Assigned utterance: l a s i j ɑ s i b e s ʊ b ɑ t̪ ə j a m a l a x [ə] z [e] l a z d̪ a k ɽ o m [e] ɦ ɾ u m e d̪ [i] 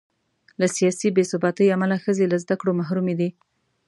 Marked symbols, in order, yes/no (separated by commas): yes, yes, no, yes